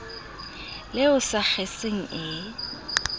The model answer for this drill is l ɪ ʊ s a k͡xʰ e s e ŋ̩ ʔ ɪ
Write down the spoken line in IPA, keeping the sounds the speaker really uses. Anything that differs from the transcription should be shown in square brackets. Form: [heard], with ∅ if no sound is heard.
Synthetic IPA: l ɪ ʊ s a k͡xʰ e s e ŋ̩ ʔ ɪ